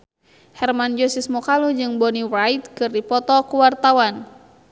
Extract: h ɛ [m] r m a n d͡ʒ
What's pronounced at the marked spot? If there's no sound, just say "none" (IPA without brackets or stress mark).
none